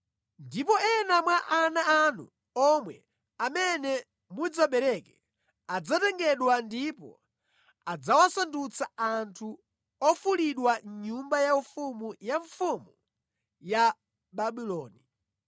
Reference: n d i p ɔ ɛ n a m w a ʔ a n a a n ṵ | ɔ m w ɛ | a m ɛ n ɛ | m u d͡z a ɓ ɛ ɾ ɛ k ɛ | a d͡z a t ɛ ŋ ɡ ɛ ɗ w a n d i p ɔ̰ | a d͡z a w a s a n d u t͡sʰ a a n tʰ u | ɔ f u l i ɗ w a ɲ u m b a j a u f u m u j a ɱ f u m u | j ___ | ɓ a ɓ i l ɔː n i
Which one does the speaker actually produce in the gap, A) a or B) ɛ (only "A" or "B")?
A